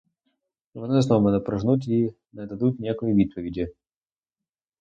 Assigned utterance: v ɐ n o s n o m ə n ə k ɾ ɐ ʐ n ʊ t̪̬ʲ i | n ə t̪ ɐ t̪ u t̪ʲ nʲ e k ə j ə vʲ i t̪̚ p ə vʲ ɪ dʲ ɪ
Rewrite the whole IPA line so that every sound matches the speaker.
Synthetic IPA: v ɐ n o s n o m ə n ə p ɾ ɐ ʐ n u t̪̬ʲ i | n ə d̪ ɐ d̪ u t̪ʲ nʲ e k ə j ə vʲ i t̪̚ p ə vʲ ɪ dʲ ɪ